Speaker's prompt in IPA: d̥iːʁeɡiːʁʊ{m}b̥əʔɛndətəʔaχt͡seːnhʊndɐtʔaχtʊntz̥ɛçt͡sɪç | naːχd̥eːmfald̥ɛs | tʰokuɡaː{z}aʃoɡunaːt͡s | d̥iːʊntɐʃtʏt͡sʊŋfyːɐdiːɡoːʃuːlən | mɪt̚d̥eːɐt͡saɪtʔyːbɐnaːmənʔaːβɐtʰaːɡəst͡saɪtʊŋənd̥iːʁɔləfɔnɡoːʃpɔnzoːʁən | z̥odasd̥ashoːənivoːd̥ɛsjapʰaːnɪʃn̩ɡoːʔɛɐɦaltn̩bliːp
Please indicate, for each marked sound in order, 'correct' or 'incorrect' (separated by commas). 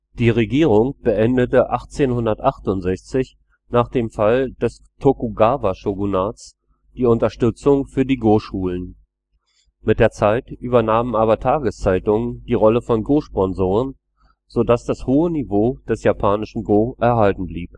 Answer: incorrect, incorrect